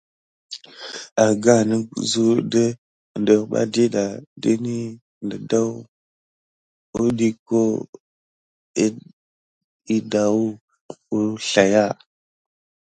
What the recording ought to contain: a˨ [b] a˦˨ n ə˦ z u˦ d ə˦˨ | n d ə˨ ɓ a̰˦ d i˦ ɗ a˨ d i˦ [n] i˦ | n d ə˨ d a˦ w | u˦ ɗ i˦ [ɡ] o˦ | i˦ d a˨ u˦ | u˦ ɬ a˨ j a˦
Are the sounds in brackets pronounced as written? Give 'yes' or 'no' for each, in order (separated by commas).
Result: no, yes, no